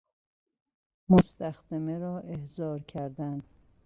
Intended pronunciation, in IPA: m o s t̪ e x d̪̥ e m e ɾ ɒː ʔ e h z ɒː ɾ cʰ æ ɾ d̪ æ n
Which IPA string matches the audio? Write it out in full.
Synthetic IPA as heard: m o s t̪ æ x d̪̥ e m e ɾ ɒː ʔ e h z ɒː ɾ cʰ æ ɾ d̪ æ n